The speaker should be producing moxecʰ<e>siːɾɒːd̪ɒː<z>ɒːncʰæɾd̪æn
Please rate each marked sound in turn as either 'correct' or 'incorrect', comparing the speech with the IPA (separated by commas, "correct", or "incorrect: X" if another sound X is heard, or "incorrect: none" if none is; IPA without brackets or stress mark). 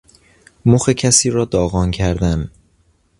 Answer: incorrect: æ, incorrect: ɣ